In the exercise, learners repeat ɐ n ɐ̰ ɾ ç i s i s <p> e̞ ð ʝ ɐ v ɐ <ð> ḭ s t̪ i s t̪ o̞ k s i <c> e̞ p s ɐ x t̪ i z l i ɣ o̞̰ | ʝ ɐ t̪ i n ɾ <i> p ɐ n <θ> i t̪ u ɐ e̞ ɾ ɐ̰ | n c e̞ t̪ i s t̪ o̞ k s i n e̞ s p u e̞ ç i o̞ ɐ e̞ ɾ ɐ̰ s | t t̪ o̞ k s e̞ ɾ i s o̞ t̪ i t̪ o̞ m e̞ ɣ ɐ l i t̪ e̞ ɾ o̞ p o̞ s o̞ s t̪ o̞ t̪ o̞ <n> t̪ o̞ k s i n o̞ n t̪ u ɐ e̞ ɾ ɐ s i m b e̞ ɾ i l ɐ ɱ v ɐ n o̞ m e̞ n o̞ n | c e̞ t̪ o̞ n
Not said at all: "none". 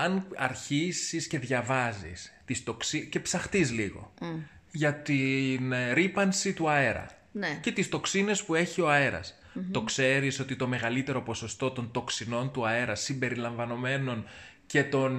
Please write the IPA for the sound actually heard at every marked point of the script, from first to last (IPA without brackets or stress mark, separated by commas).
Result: c, z, c, i, s, n